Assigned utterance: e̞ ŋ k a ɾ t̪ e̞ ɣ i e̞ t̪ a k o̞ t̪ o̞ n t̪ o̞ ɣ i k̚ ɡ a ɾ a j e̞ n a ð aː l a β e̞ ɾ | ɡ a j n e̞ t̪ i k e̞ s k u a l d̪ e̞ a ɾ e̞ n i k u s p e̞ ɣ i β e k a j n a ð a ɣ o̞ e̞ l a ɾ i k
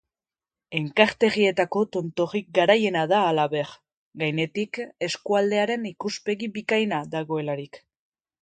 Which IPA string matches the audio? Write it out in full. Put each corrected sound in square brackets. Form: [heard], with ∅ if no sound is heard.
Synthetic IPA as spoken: e̞ ŋ k a ɾ t̪ e̞ ɣ i e̞ t̪ a k o̞ t̪ o̞ n t̪ o̞ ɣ i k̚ ɡ a ɾ a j e̞ n a ð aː l a β e̞ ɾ | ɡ a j n e̞ t̪ i k e̞ s k u a l d̪ e̞ a ɾ e̞ n i k u s p e̞ ɣ i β [i] k a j n a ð a ɣ o̞ e̞ l a ɾ i k